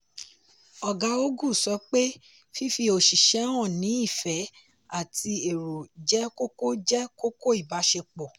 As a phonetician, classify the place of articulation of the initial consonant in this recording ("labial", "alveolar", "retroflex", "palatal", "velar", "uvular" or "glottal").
velar